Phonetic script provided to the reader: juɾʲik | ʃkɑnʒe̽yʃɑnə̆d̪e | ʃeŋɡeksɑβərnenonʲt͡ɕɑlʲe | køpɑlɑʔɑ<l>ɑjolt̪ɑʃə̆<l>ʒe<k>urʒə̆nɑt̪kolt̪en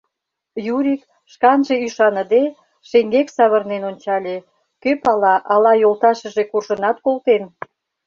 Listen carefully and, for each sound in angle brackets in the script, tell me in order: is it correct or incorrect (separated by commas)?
correct, incorrect, correct